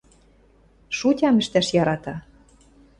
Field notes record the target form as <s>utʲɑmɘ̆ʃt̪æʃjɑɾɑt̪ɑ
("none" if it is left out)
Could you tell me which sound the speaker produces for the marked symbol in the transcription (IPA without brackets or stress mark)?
ʃ